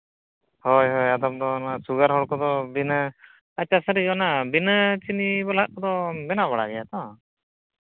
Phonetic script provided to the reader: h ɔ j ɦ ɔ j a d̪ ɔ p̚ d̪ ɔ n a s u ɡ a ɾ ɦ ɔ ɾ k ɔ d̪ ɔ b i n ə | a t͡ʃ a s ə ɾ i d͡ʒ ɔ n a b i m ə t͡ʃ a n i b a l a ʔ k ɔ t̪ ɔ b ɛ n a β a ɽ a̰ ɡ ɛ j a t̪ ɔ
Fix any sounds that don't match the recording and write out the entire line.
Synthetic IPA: h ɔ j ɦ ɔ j a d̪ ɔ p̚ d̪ ɔ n a s u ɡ a ɾ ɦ ɔ ɽ k ɔ d̪ ɔ b i n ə | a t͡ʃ a s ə ɾ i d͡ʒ ɔ n a b i n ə t͡ʃ i n i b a l a ʔ k ɔ d̪ ɔ b ɛ n a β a ɽ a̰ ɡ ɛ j a t̪ ɔ